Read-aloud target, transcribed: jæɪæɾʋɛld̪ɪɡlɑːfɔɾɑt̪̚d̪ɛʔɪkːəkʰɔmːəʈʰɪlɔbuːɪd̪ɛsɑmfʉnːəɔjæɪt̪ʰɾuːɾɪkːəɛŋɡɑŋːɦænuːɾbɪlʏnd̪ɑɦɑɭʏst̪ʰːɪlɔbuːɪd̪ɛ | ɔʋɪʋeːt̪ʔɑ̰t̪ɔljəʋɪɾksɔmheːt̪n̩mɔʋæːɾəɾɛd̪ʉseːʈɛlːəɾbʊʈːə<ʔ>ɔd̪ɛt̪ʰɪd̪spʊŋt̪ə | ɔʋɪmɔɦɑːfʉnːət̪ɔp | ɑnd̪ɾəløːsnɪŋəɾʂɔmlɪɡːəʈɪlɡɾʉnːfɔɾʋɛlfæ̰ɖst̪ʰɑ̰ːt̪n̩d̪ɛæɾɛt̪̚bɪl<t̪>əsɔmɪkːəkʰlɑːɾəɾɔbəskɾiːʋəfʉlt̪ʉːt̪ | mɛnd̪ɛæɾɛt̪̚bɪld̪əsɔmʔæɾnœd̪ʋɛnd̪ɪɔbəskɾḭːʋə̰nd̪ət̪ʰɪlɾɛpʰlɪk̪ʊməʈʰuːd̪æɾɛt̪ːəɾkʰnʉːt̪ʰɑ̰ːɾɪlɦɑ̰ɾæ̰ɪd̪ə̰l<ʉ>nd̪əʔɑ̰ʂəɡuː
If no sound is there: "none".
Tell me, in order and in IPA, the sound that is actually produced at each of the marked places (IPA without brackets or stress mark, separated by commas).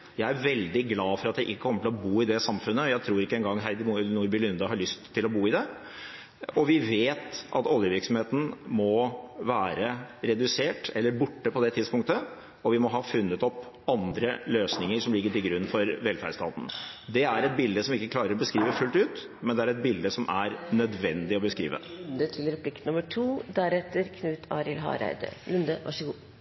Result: p, d̪, ʉ